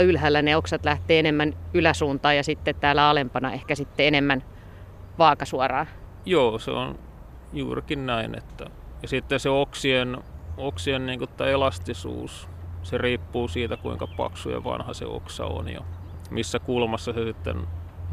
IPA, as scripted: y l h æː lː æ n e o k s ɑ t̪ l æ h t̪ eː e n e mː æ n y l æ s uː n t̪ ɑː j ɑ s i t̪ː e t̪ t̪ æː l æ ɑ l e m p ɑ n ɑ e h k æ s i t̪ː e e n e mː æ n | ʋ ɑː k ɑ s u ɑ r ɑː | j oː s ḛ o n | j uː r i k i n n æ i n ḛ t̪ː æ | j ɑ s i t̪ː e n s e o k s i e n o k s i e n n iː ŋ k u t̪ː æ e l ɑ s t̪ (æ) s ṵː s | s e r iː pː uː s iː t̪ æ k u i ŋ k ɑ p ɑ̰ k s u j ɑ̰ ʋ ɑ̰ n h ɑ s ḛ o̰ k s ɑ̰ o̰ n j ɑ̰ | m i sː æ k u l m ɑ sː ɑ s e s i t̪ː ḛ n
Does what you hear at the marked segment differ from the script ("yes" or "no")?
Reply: yes